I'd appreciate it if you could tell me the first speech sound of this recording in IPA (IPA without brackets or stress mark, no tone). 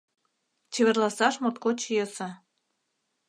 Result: t͡ɕ